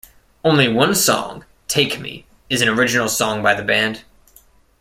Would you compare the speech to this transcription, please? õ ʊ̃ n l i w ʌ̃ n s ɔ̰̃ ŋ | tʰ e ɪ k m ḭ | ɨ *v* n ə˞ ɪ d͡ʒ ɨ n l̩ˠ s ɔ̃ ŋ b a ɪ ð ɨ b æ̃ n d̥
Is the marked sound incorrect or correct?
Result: incorrect